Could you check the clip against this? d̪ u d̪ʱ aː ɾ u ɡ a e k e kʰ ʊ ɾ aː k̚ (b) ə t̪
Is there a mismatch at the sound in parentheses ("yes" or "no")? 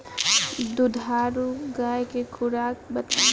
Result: no